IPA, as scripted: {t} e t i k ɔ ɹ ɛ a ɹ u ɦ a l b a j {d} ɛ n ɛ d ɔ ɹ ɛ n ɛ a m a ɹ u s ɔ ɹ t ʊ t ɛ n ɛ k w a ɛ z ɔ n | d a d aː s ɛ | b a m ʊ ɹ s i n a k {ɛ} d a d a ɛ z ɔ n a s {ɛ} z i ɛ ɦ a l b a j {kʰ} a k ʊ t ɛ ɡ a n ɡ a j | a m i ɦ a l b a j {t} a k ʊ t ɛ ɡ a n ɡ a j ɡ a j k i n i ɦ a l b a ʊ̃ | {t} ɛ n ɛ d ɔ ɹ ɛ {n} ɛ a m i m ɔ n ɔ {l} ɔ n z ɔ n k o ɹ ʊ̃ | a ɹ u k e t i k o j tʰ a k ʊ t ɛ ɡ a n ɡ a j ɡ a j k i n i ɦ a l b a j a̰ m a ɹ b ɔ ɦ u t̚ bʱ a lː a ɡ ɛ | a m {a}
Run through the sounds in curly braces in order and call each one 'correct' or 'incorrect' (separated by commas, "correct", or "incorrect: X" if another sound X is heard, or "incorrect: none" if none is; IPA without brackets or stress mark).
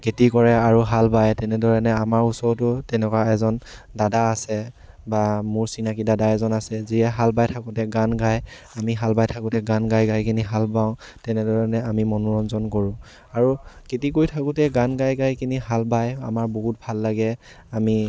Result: incorrect: k, incorrect: t, incorrect: i, correct, incorrect: tʰ, incorrect: tʰ, correct, correct, incorrect: ɹ, incorrect: i